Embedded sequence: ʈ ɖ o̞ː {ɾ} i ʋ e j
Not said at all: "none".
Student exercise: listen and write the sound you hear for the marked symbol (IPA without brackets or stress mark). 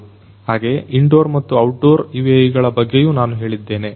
ɾ